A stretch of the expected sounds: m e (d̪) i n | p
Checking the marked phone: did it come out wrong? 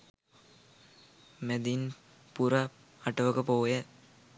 no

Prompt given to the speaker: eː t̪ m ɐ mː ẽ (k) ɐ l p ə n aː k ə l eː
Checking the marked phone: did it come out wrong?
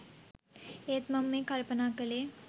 no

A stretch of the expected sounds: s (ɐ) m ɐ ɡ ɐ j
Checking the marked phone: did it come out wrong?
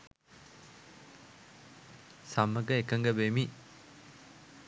yes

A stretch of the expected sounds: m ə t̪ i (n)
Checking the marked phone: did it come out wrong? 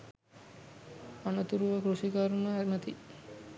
yes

